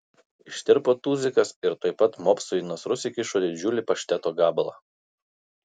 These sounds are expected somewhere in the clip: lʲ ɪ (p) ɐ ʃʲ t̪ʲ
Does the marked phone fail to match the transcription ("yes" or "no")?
no